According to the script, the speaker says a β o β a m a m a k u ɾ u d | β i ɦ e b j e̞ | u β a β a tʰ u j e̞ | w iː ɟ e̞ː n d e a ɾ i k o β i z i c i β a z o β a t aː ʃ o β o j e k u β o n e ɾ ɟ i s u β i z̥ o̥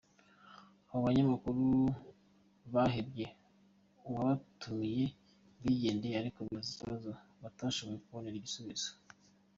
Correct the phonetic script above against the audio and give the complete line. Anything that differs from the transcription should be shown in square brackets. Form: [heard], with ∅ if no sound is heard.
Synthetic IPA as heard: a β o β a [ɲ] a m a k u ɾ u [∅] | β [a] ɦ e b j e̞ | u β a β a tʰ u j e̞ | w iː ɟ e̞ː n d e a ɾ i k o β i z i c i β a z o β a t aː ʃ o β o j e k u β o n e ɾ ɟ i s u β i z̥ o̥